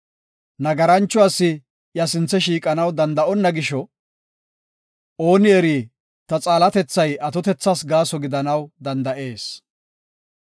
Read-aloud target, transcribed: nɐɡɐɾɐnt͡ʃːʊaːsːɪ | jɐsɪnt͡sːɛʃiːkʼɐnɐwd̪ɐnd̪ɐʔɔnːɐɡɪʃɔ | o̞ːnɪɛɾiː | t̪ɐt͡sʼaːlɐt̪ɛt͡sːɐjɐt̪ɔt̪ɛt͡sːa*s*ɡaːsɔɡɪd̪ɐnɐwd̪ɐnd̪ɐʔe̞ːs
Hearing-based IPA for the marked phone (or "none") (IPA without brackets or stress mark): s